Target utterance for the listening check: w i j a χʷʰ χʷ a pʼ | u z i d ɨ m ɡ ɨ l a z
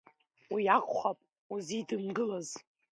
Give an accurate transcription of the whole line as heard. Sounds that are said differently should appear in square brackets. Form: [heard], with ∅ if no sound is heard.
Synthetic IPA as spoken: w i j a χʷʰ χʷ a pʼ | u z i d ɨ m ɡ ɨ l a z